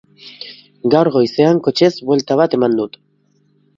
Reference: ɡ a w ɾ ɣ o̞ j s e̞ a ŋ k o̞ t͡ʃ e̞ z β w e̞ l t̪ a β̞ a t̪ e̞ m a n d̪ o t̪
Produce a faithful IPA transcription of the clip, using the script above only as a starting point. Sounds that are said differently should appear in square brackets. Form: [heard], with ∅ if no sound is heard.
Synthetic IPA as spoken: ɡ a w ɾ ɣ o̞ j s e̞ a ŋ k o̞ t͡ʃ e̞ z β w e̞ l t̪ a β̞ a t̪ e̞ m a n d̪ [u] t̪